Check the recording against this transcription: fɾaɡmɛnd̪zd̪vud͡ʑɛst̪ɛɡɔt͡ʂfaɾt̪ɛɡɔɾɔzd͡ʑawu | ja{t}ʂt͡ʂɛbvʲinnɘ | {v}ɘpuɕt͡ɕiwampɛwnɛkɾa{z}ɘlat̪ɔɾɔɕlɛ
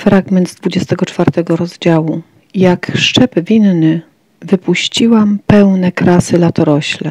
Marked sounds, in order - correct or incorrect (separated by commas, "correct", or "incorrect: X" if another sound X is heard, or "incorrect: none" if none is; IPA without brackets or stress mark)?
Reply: incorrect: k, correct, incorrect: s